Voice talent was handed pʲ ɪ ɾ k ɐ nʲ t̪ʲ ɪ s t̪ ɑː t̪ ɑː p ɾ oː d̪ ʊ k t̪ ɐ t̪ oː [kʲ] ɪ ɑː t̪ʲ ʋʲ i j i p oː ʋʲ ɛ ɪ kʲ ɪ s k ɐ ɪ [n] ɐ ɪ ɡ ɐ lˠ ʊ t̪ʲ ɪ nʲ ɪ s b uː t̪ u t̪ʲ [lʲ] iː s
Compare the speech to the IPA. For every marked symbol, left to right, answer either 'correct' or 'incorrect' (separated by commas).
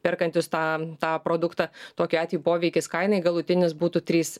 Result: correct, correct, incorrect